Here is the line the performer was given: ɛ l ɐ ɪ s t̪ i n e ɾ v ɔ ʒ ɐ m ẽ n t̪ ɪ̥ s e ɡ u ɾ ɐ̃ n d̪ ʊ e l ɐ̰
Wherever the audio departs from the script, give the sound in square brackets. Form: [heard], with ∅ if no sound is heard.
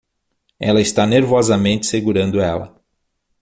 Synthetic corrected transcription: ɛ l ɐ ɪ s t̪ [a] n e ɾ v ɔ [z] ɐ m ẽ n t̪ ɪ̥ s e ɡ u ɾ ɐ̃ n d̪ ʊ [ɛ] l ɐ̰